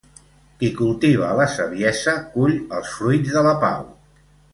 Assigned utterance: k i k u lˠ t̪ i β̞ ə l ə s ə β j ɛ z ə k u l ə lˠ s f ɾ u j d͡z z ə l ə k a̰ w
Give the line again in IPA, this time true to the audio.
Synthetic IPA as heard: k i k u lˠ t̪ i β̞ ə l ə s ə β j ɛ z ə k u ʎ ə lˠ s f ɾ u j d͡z ð ə l ə p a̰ w

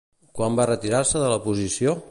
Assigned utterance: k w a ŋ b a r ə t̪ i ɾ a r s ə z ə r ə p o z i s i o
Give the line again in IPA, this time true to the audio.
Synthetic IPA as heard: k w a m b a r ə t̪ i ɾ a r s ə ð ə l ə p u z i s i o

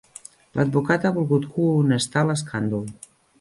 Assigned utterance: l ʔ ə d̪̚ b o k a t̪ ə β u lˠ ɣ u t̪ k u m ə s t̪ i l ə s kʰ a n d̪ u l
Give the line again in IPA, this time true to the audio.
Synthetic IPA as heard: l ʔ ə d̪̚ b u k a t̪ a β u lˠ ɣ u t̪ k u n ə s t̪ a l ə s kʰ a n d̪ u l

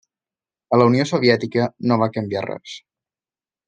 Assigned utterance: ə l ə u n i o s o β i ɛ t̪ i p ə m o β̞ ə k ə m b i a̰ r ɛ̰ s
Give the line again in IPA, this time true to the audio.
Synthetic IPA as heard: ə l ə u n i o s o β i ɛ t̪ i k ə n o β̞ a k ə m b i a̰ r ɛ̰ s

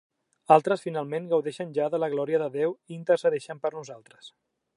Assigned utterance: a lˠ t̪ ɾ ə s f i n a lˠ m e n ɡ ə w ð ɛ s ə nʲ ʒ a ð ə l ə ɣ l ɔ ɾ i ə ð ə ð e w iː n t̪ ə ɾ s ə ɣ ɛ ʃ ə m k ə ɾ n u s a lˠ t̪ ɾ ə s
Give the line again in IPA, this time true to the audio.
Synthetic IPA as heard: a lˠ t̪ ɾ ə s f i n a lˠ m e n ɡ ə w ð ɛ ʃ ə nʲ ʒ a ð ə l ə ɣ l ɔ ɾ i ə ð ə ð e w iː n t̪ ə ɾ s ə ð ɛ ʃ ə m p ə ɾ n u z a lˠ t̪ ɾ ə s

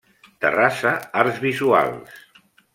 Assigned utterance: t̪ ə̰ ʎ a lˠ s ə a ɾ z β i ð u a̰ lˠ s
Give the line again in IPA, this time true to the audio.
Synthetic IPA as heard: t̪ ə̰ r a s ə a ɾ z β i z u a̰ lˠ s

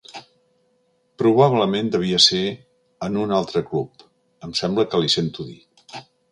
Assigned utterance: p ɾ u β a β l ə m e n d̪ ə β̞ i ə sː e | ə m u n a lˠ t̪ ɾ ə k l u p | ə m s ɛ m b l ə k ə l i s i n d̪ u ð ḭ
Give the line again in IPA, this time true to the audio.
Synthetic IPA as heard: p ɾ u β a β l ə m e n d̪ ə β̞ i ə s e | ə n u n a lˠ t̪ ɾ ə k l u p | ə m s ɛ m b l ə k ə l i s e n t̪ u ð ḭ

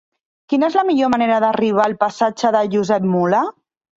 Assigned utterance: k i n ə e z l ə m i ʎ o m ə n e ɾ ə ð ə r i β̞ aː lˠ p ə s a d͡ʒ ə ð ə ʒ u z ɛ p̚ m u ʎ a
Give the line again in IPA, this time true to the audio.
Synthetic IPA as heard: k i n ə e z l ə m i ʎ o m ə n e ɾ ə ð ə r i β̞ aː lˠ p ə s a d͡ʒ ə ð ə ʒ u z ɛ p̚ m u l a

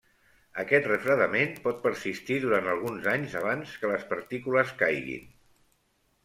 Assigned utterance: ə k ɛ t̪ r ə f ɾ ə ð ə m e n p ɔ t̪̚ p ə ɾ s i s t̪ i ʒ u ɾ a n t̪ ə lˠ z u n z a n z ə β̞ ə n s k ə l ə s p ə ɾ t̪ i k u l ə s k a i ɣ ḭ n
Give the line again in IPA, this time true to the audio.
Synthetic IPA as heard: ə k ɛ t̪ r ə f ɾ ə ð ə m e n p ɔ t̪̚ p ə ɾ s i s t̪ i ð u ɾ a n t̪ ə lˠ ɣ u n z a ɲ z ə β̞ a n s k ə l ə s p ə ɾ t̪ i k u l ə s k a j ɣ ḭ n

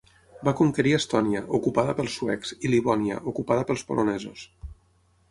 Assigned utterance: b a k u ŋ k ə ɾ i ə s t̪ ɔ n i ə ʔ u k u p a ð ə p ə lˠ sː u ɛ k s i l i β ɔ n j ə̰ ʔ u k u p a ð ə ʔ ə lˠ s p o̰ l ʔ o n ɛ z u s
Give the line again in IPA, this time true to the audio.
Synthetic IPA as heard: b a k u ŋ k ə ɾ i ə s t̪ ɔ n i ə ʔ u k u p a ð ə p ə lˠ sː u ɛ k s i l i β ɔ n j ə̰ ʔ u k u p a ð ə p ə lˠ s p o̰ l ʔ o n ɛ z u s

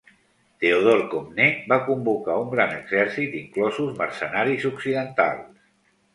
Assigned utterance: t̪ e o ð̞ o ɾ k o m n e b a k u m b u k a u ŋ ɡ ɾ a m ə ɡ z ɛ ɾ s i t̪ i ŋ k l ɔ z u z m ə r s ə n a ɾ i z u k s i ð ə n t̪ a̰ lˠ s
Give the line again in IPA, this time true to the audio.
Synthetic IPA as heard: t̪ e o ð̞ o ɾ k o m n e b a k u m b u k a u ŋ ɡ ɾ a n ə ɡ z ɛ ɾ s i t̪ i ŋ k l ɔ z u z m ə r s ə n a ɾ i z u k s i ð ə n t̪ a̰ lˠ s

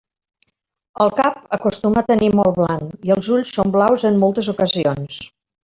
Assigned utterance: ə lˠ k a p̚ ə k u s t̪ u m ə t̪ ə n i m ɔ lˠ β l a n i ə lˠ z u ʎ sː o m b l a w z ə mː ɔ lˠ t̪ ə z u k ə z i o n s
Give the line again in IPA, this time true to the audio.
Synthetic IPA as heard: ə lˠ k a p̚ ə k u s t̪ u m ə t̪ ə n i m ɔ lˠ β l a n i ə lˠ z u ʎ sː o m b l a w z ə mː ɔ lˠ t̪ ə z u k ə z i o n s

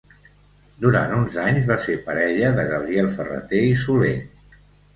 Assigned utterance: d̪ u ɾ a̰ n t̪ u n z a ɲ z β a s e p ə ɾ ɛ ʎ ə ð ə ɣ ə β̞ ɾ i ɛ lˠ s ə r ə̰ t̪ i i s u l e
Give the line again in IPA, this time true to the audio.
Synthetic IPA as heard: d̪ u ɾ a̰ n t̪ u n z a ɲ z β a s e p ə ɾ ɛ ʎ ə ð ə ɣ ə β̞ ɾ i ɛ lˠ f ə r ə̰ t̪ e i s u l e

